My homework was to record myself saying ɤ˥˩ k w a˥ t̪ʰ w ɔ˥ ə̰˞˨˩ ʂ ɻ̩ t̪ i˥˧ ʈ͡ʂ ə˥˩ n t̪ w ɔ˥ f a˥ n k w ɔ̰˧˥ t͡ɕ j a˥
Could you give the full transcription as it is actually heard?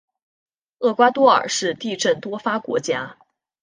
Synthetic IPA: ɤ˥˩ k w a˥ t̪ w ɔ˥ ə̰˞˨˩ ʂ ɻ̩ t̪ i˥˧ ʈ͡ʂ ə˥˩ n t̪ w ɔ˥ f a˥ k w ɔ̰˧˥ t͡ɕ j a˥